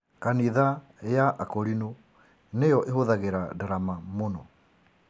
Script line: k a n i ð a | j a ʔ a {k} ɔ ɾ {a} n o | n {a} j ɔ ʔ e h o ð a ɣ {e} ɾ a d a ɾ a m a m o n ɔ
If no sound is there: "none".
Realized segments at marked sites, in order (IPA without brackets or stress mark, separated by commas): k, i, e, e